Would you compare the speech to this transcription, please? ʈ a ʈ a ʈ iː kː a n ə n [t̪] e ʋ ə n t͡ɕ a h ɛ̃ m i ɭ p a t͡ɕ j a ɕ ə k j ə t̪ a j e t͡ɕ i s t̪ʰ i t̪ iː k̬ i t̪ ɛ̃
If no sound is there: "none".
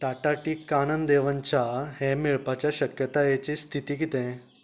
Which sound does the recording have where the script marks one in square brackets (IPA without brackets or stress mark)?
d̪